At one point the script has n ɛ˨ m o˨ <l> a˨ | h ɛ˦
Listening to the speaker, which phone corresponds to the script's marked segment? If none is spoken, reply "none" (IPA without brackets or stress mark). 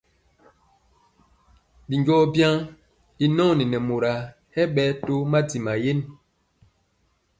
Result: ɾ